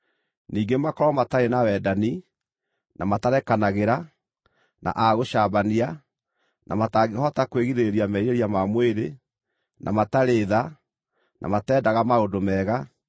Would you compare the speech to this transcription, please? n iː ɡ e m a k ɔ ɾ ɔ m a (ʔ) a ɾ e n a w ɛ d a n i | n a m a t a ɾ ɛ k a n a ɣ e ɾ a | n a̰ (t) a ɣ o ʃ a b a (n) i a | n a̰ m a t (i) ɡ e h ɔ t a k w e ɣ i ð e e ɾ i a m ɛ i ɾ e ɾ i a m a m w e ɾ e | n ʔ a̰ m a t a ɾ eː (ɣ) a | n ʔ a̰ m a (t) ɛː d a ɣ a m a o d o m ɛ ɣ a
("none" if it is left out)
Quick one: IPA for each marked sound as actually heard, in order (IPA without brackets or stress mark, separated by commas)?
t, ʔ, n, a, ð, t